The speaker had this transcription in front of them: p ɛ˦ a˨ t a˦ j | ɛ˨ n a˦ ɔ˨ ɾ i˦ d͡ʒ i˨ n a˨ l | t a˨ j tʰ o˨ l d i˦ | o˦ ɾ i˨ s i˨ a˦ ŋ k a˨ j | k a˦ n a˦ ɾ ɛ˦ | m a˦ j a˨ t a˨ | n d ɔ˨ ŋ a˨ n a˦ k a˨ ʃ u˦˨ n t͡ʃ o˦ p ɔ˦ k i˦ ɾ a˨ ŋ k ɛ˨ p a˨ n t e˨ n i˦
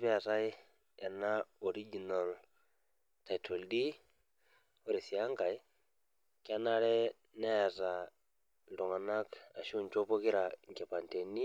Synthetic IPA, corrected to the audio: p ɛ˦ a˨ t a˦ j | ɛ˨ n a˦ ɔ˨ ɾ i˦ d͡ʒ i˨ n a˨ l | t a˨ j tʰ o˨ l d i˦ | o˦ ɾ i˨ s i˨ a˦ ŋ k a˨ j | k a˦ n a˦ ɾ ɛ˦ | n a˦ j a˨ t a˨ | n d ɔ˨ ŋ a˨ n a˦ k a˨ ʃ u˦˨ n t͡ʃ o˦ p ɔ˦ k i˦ ɾ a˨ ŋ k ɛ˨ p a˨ n t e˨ n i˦